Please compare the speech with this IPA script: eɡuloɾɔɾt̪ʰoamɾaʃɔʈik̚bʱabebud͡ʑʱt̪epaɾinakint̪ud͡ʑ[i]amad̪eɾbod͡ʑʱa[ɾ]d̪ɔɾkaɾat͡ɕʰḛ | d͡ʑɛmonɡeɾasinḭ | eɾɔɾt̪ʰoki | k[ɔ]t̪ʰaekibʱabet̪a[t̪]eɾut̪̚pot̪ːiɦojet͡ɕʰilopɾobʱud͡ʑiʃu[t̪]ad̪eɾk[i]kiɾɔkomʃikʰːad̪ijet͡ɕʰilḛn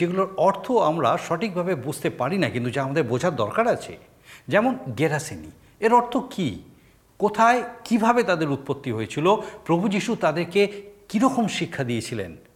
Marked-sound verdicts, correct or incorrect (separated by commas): incorrect, correct, incorrect, incorrect, correct, incorrect